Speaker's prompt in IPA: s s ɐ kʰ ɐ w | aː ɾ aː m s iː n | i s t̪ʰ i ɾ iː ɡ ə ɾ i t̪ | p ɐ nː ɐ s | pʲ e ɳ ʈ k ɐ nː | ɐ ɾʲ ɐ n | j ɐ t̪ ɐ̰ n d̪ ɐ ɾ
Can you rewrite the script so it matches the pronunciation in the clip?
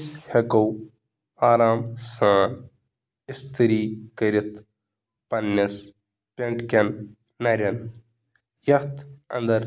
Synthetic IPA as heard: s h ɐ k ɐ w | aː ɾ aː m s aː n | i s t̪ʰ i ɾ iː k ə ɾ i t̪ | p ɐ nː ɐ s | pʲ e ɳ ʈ k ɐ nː | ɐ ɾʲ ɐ n | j ɐ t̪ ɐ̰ n d̪ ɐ ɾ